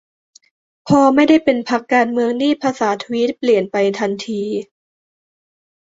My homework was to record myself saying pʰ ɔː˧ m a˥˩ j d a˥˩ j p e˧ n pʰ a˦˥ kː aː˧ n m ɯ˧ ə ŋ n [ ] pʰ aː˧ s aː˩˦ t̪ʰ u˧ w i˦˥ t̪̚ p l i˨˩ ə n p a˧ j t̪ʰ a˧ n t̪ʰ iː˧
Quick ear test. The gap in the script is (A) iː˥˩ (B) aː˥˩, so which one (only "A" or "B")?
A